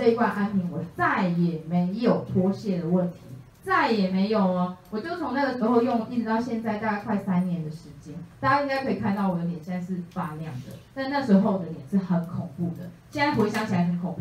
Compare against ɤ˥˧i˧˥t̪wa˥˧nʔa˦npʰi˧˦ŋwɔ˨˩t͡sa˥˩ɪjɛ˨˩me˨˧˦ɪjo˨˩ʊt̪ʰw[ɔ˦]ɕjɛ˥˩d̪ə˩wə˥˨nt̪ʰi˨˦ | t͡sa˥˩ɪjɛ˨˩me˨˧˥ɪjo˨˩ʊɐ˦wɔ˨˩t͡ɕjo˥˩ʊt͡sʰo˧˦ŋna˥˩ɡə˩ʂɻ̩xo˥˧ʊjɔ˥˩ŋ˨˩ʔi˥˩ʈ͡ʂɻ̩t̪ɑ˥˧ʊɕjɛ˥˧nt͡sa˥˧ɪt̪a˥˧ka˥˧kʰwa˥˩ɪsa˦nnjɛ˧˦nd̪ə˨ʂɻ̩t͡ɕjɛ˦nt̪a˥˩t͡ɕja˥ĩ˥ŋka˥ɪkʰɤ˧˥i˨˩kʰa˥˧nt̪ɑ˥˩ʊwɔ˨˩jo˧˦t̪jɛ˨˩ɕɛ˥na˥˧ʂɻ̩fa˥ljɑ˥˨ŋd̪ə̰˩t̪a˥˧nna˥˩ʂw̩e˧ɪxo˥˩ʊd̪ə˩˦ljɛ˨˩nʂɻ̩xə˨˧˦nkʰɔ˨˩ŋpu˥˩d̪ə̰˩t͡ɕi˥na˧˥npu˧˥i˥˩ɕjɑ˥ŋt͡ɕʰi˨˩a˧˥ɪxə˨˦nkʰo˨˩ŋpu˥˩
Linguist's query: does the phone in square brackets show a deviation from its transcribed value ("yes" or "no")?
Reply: no